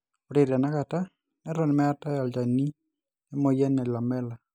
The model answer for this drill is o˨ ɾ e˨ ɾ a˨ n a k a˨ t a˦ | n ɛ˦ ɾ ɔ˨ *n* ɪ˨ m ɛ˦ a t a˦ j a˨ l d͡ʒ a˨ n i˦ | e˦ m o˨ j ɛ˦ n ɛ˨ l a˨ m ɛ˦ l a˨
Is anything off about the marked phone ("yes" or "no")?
no